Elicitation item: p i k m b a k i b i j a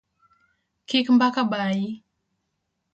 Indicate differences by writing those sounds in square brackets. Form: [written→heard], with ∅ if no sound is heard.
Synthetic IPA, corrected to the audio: [p→k] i k m b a k [i→a] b [i→a] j [a→i]